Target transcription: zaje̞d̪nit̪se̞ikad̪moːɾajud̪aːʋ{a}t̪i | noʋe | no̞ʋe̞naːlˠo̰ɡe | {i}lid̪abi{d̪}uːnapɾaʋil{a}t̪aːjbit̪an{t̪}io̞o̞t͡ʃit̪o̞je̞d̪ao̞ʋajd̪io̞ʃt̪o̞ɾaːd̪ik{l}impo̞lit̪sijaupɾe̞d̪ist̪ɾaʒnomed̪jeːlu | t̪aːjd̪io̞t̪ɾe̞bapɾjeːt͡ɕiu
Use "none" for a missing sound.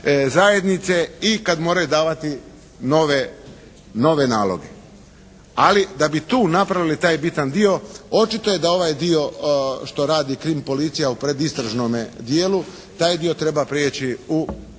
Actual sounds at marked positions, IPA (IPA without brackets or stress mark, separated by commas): a, a, t̪, i, d̪, ɾ